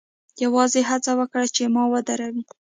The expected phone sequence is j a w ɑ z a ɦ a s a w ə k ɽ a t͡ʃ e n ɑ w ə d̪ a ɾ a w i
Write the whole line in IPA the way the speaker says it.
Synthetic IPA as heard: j a w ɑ z e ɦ a t͡s a w ə k ɽ a t͡ʃ e m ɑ w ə d̪ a ɾ a w i